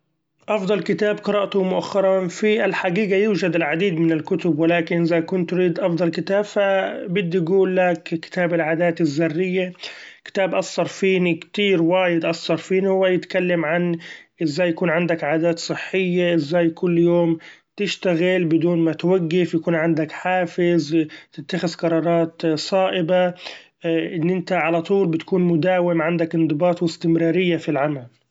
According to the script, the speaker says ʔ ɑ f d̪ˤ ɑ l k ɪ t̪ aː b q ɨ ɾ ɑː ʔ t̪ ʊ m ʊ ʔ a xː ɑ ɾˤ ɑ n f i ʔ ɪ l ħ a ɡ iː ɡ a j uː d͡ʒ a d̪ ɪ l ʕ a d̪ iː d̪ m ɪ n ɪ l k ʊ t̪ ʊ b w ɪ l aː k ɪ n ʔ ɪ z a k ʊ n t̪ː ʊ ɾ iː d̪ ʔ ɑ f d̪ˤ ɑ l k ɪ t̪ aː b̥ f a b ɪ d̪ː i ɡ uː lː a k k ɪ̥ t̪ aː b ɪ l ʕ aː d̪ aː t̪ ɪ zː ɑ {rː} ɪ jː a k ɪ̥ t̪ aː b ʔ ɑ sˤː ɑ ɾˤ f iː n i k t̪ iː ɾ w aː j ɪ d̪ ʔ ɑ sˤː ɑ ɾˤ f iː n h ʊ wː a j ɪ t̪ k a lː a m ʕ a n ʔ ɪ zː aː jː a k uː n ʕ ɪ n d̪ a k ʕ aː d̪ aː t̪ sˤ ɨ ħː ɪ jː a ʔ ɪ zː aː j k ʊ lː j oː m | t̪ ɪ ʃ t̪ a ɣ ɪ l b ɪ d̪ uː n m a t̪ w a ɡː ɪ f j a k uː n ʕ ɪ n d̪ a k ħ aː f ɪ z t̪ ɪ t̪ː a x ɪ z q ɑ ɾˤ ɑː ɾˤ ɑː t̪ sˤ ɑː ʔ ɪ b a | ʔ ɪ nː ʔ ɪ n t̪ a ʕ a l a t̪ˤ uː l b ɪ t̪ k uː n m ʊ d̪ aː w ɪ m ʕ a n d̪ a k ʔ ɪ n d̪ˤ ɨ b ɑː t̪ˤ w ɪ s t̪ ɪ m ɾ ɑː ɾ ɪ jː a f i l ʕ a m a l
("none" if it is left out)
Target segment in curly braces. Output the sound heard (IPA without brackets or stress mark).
rː